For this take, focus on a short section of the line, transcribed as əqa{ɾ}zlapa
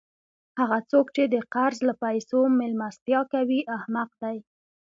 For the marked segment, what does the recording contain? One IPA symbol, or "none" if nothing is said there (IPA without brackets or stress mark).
ɾ